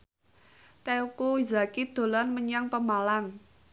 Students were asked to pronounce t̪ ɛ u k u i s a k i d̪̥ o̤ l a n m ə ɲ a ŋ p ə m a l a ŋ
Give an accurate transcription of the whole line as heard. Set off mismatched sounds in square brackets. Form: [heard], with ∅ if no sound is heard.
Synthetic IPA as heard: t̪ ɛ u k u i [z] a k i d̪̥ o̤ l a n m ə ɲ a ŋ p ə m a l a ŋ